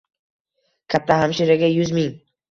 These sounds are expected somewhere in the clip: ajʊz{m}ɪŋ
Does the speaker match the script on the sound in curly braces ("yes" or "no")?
yes